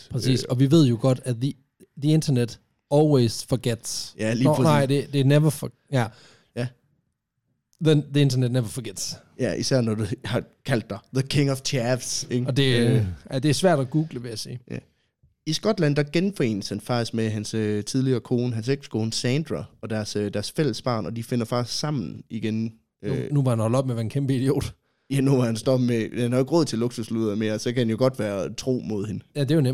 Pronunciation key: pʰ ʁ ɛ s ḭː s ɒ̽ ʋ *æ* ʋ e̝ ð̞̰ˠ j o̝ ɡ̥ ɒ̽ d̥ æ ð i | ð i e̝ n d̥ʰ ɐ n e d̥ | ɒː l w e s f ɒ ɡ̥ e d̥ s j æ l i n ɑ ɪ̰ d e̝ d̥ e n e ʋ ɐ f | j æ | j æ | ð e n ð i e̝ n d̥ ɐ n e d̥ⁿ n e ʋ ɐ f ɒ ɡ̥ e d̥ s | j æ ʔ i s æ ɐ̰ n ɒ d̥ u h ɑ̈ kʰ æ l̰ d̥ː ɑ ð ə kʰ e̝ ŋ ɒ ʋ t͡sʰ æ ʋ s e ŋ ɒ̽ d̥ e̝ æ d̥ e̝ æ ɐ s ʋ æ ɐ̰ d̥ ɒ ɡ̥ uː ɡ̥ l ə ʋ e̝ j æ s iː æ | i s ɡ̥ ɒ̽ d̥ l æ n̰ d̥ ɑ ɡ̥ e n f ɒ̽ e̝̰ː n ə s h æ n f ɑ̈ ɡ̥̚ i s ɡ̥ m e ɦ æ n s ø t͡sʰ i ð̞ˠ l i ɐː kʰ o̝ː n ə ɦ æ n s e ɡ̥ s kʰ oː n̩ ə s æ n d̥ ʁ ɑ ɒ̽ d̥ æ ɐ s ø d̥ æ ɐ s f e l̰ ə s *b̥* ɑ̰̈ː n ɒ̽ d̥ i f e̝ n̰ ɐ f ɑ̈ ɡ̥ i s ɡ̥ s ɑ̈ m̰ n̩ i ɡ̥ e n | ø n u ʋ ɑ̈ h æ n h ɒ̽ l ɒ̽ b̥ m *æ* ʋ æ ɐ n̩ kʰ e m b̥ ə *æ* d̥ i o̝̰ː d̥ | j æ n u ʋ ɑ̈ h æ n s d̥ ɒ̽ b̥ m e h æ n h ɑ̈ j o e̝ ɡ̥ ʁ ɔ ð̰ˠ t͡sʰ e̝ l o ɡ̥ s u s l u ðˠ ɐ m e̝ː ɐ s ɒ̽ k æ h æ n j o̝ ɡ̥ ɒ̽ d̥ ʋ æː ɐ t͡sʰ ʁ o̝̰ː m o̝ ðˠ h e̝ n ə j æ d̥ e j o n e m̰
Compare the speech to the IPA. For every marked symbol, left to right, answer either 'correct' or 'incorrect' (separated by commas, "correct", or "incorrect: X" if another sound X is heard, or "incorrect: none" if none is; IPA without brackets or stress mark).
incorrect: i, correct, incorrect: e, incorrect: i